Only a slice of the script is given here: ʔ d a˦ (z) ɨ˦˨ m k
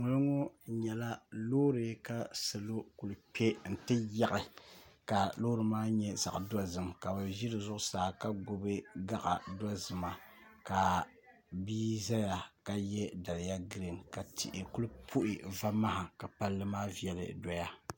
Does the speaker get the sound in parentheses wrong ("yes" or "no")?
no